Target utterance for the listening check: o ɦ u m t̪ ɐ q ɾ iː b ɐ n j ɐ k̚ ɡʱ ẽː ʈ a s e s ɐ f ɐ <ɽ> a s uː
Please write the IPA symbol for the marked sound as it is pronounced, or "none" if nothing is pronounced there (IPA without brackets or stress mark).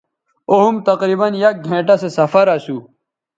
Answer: ɾ